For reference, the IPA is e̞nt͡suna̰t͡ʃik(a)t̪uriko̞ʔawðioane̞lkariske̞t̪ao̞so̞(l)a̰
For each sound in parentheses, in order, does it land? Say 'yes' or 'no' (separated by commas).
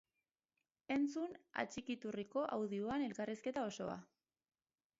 no, no